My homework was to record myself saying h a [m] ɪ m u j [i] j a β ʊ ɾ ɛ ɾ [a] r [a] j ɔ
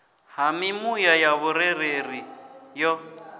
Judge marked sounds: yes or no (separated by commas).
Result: yes, no, no, no